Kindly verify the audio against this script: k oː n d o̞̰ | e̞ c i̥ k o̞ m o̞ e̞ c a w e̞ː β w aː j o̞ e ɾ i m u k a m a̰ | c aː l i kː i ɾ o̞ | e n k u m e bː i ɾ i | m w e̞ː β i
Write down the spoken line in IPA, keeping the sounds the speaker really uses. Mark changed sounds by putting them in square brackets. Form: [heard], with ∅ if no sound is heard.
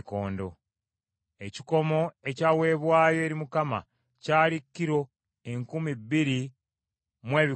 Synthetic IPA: k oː n d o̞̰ | e̞ c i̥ k o̞ m o̞ e̞ c a w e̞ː β w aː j o̞ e ɾ i m u k a m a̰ | c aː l i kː i ɾ o̞ | e [ŋ] k u m [i] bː i ɾ i | m w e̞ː β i